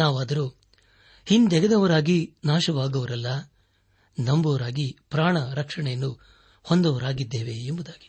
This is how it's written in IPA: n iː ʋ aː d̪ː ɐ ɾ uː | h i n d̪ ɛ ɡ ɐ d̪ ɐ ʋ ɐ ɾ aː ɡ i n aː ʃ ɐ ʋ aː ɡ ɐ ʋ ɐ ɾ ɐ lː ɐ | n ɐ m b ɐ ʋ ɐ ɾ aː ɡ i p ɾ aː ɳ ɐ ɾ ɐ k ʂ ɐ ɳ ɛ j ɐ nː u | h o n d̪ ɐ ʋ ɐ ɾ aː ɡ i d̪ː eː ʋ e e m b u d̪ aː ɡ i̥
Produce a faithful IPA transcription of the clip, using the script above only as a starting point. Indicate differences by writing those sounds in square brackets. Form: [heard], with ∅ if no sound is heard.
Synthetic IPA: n [aː] ʋ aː [d̪] ɐ ɾ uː | h i n d̪ ɛ ɡ ɐ d̪ ɐ ʋ ɐ ɾ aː ɡ i n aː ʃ ɐ ʋ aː ɡ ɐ ʋ ɐ ɾ ɐ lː ɐ | n ɐ m b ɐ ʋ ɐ ɾ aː ɡ i p ɾ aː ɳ ɐ ɾ ɐ k ʂ ɐ ɳ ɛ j ɐ nː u | h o n d̪ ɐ ʋ ɐ ɾ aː ɡ i d̪ː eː ʋ e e m b u d̪ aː ɡ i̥